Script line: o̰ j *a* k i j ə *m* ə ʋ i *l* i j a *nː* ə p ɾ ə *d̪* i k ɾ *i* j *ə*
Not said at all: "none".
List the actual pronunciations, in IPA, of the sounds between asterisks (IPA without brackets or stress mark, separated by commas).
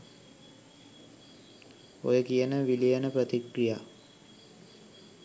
ə, n, l, n, t̪, i, a